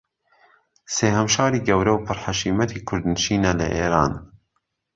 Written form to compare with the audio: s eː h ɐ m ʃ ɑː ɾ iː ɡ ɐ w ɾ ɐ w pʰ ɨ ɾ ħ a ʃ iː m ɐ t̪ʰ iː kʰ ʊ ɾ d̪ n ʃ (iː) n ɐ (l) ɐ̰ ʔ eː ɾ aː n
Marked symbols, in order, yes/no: yes, yes

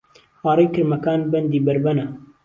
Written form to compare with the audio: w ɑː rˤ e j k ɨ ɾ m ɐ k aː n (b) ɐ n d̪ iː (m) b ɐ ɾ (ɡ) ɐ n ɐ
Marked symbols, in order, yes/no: yes, no, no

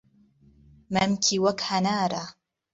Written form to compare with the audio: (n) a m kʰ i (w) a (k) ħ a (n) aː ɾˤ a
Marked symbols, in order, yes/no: no, yes, yes, yes

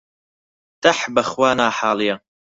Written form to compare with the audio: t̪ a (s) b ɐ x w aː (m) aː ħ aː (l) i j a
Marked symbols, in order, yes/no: no, no, yes

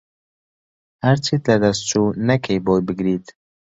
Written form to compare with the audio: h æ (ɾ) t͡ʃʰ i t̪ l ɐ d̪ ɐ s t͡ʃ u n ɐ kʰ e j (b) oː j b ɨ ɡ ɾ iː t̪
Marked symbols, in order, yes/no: yes, yes

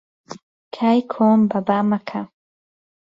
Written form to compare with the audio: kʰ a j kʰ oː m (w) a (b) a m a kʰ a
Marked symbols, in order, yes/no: no, yes

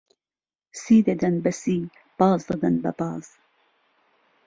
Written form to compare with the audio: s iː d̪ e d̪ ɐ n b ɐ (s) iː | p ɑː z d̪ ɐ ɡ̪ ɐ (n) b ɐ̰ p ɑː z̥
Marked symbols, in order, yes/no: yes, yes

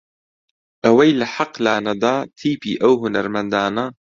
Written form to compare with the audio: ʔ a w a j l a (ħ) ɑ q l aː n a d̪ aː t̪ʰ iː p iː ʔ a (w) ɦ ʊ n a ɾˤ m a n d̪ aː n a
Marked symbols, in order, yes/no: yes, yes

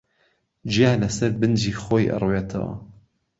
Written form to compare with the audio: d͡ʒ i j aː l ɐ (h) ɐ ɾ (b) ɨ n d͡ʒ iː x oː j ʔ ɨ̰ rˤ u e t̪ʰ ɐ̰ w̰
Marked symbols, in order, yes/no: no, yes

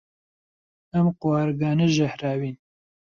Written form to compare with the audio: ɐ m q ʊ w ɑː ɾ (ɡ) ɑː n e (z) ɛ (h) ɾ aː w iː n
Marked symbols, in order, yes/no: yes, no, yes

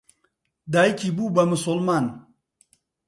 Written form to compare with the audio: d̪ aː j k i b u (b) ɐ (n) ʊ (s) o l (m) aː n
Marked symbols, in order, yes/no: yes, no, yes, yes

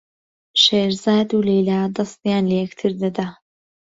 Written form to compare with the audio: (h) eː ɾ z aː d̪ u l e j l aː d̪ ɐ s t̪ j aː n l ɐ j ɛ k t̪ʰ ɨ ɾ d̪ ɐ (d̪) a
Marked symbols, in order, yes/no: no, yes

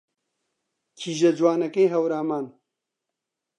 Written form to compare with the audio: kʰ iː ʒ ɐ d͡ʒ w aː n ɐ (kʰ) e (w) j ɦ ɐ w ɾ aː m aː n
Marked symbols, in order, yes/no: no, no

